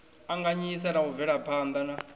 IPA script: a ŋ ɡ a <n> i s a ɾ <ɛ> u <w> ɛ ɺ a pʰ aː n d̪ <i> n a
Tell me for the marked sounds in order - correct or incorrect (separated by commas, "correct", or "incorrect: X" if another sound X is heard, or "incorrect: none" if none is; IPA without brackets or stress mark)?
incorrect: ɲ, incorrect: a, incorrect: v, incorrect: a